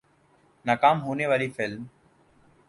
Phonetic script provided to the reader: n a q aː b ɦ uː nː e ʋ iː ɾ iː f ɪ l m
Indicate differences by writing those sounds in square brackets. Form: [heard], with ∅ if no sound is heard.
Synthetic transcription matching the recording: n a [k] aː [m] ɦ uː [n] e ʋ [aː] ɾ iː f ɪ l m